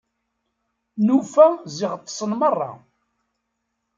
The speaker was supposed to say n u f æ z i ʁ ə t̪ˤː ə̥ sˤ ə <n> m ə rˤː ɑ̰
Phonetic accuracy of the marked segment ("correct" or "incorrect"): correct